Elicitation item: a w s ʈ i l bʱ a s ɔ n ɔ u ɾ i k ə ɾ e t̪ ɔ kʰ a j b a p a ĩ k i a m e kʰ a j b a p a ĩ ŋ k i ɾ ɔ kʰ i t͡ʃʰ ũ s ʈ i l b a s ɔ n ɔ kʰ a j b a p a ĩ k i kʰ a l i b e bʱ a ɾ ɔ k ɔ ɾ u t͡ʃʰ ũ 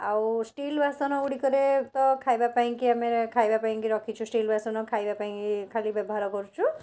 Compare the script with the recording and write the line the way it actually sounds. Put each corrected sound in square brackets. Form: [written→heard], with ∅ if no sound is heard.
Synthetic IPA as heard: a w s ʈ i l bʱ a s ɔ n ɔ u [ɾ→ɽ] i k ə ɾ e t̪ ɔ kʰ a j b a p a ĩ k i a m e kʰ a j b a p a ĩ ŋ k i ɾ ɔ kʰ i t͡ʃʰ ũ s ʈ i l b a s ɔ n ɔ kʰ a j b a p a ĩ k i kʰ a l i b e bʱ a ɾ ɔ k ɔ ɾ u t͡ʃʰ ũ